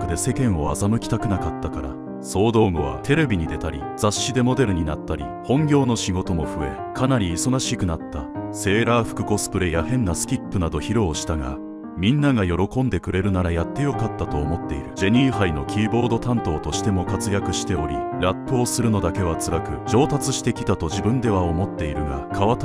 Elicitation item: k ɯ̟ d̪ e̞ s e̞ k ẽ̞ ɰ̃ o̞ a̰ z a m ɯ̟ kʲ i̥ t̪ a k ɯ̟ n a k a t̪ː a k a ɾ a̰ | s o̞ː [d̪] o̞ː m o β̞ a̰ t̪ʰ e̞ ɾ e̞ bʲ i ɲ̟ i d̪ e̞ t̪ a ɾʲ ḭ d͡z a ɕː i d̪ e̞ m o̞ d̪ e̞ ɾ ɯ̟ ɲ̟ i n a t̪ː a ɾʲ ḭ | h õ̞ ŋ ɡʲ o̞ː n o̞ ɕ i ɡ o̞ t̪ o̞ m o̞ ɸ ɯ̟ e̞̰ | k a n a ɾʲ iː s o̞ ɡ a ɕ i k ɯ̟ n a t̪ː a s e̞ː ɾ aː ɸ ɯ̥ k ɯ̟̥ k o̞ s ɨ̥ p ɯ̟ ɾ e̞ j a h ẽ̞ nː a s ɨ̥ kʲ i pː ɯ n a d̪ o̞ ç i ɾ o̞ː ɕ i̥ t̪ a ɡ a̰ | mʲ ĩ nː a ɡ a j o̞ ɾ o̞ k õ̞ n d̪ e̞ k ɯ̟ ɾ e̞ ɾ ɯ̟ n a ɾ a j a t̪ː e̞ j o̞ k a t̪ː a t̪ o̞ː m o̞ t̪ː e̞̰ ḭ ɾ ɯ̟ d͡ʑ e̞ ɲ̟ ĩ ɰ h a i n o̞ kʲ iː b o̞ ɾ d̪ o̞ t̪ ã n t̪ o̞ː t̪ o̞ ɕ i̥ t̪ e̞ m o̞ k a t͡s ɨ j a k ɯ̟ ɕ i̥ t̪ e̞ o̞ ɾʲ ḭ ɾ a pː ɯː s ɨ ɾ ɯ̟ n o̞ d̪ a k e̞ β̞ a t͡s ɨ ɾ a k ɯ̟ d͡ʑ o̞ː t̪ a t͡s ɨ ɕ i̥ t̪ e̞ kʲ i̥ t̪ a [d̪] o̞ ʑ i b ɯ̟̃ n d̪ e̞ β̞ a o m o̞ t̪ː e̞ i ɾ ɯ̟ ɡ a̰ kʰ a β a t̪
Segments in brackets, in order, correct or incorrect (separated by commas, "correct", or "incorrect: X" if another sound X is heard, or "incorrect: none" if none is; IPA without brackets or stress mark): correct, incorrect: t̪